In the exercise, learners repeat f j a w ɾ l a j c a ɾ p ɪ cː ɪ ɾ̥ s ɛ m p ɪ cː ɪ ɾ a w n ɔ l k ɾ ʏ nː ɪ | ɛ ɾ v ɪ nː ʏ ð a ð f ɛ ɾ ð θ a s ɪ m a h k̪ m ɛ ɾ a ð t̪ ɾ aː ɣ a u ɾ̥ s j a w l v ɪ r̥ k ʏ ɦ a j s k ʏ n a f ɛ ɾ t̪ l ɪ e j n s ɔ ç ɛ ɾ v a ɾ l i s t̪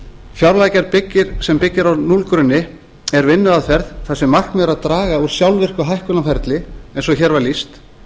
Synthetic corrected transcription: f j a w ɾ l a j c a ɾ p ɪ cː ɪ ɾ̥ s ɛ m p ɪ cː ɪ ɾ a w n u l k ɾ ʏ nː ɪ | ɛ ɾ v ɪ nː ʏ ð a ð f ɛ ɾ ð θ a s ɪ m a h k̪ m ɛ ɾ a ð t̪ ɾ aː ɣ a u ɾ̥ s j a w l v ɪ r̥ k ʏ ɦ a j h k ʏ n a f ɛ ɾ t̪ l ɪ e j n s ɔ ç ɛ ɾ v a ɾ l i s t̪